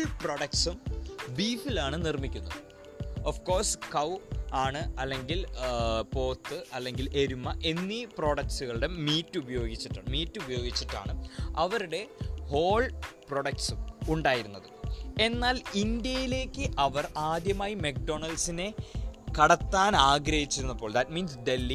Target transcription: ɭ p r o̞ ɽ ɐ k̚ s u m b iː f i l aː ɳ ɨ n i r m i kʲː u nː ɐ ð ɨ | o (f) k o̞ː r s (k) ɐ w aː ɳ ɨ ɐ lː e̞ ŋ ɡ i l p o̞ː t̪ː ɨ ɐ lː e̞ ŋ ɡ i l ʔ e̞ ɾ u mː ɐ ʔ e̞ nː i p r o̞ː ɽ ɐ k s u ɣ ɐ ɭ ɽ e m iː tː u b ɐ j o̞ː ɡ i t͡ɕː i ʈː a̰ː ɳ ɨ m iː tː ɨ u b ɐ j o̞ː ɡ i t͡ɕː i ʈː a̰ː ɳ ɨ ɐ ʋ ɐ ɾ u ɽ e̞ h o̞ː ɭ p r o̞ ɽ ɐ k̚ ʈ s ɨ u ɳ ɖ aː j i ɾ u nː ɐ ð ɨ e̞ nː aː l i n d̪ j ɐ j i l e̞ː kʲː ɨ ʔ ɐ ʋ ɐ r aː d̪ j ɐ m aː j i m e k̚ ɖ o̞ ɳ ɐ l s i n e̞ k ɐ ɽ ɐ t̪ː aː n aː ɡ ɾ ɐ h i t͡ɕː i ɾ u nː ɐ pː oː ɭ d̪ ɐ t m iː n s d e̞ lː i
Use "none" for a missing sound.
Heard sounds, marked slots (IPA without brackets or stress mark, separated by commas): f, k